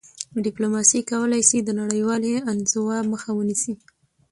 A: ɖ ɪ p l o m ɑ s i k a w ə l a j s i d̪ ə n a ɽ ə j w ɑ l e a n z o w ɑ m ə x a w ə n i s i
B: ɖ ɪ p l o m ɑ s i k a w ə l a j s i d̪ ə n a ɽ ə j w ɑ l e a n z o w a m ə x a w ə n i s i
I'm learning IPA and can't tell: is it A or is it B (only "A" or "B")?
B